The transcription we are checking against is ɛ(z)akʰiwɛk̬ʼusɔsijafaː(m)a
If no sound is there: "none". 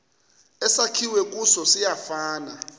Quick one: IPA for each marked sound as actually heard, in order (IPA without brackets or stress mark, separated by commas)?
s, n